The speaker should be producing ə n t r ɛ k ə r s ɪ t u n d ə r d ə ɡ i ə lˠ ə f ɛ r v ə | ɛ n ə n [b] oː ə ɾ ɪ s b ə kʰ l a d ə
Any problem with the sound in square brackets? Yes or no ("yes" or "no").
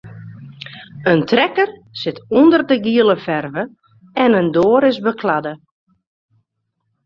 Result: yes